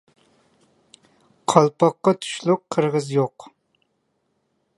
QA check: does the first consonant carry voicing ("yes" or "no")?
no